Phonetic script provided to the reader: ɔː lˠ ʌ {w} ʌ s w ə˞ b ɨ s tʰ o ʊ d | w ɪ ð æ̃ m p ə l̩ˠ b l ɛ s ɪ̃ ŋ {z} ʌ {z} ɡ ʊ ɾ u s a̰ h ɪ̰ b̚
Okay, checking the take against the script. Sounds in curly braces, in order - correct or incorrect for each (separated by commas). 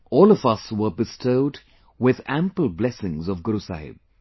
incorrect, correct, incorrect